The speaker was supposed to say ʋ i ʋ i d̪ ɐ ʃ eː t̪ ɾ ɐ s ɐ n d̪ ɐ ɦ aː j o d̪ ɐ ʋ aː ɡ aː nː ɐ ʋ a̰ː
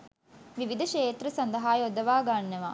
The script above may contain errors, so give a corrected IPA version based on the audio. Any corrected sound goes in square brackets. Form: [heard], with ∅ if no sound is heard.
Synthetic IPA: ʋ i ʋ i d̪ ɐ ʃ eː t̪ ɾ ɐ s ɐ n d̪ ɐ ɦ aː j o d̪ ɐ ʋ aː ɡ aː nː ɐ ʋ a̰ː